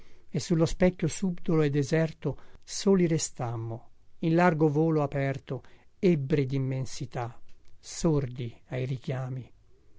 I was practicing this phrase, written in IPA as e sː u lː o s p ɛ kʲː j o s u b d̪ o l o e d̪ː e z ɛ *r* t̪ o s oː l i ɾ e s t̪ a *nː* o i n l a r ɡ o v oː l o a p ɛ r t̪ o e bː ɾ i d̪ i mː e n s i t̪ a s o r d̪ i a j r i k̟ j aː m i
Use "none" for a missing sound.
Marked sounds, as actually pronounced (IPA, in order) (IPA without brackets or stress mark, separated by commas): r, mː